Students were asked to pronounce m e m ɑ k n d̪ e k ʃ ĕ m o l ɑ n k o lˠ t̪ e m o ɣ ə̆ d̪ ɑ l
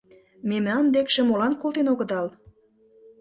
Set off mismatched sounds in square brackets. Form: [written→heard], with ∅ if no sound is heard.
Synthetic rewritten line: m e m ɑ [k→∅] n d̪ e k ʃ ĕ m o l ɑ n k o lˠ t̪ e [m→n] o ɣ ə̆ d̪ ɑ l